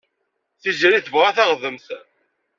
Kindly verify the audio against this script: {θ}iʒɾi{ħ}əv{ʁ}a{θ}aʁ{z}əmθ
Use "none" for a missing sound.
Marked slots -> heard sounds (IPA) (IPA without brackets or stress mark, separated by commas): θ, θ, ʁ, θ, ð